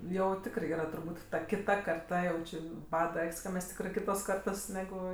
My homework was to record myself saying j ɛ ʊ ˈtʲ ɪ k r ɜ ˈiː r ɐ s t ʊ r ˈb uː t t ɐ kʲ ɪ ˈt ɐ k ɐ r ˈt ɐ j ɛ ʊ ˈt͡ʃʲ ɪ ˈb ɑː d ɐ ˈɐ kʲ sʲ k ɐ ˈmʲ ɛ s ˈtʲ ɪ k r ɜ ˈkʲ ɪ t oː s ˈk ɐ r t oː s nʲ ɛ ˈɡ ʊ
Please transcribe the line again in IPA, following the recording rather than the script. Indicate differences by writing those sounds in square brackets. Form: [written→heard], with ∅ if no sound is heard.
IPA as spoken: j ɛ ʊ ˈtʲ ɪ k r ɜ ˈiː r ɐ [s→∅] t ʊ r ˈb uː t t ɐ kʲ ɪ ˈt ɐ k ɐ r ˈt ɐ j ɛ ʊ ˈt͡ʃʲ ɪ ˈb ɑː d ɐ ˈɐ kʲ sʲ k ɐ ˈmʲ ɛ s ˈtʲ ɪ k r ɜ ˈkʲ ɪ t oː s ˈk ɐ r t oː s nʲ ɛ ˈɡ ʊ

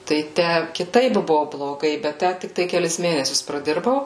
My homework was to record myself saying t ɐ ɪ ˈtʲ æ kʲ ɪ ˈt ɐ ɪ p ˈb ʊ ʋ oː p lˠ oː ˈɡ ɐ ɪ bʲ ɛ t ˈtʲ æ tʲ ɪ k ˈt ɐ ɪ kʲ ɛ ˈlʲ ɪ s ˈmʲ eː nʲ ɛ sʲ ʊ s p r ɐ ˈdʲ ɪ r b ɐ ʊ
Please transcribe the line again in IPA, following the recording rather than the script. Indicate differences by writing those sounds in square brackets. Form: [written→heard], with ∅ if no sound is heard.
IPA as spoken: t ɐ ɪ ˈtʲ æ kʲ ɪ ˈt ɐ ɪ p ˈb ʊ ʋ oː [p→b] lˠ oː ˈɡ ɐ ɪ bʲ ɛ t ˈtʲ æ tʲ ɪ k ˈt ɐ ɪ kʲ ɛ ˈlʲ ɪ s ˈmʲ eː nʲ ɛ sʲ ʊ s p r ɐ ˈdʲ ɪ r b ɐ ʊ

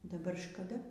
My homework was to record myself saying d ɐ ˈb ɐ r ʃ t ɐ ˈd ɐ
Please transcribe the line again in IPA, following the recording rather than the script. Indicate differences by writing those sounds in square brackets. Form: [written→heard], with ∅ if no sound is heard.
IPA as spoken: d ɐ ˈb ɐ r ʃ [t→k] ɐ ˈd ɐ

